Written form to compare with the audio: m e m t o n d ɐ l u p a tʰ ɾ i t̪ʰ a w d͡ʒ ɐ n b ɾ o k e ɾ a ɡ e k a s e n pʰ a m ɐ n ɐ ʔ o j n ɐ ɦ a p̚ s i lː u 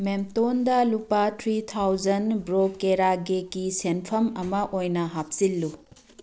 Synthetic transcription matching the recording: m e m t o n d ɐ l u p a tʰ ɾ i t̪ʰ a w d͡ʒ ɐ n b ɾ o k e ɾ a ɡ e k i s e n pʰ ɐ m ɐ m ɐ ʔ o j n ɐ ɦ a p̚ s i lː u